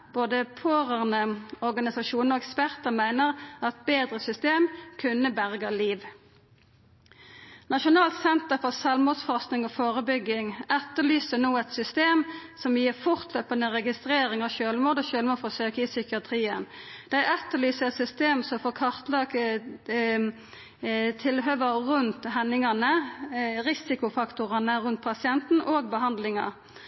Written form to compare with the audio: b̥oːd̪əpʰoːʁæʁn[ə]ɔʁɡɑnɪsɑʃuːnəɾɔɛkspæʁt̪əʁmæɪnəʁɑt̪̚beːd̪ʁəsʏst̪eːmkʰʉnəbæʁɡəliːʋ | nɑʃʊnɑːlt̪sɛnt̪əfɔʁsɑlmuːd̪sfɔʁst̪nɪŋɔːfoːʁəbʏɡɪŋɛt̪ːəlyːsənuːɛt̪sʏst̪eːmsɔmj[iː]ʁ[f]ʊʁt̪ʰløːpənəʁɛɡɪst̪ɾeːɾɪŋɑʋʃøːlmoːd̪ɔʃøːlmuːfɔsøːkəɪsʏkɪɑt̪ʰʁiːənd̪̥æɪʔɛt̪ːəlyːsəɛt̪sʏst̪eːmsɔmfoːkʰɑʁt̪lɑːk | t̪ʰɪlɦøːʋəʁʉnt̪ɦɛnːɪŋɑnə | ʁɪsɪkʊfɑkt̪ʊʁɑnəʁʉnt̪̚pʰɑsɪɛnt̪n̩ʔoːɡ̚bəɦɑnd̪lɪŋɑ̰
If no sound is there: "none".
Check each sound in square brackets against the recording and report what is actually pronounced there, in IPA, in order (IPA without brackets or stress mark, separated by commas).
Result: ə, iː, f